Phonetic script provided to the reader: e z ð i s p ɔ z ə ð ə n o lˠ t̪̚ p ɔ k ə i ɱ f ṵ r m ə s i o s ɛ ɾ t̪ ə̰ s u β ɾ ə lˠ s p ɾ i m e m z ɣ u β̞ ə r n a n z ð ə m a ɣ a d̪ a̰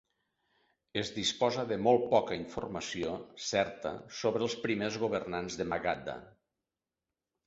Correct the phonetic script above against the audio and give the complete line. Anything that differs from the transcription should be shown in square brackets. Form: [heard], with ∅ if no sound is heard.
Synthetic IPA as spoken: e z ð i s p ɔ z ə ð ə [m] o lˠ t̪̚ p ɔ k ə i ɱ f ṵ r m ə s i o s ɛ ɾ t̪ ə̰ s [o] β ɾ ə lˠ s p ɾ i m e [∅] z ɣ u β̞ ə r n a n z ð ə m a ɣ a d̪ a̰